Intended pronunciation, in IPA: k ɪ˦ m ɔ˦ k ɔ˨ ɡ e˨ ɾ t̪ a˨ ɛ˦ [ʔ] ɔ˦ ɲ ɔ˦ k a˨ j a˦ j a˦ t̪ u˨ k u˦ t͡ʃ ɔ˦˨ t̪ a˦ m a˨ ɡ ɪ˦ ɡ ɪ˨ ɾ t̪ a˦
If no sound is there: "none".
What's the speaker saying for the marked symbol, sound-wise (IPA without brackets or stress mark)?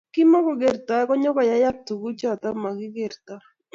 k